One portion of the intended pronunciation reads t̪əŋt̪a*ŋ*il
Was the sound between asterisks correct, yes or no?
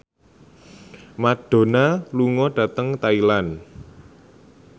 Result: no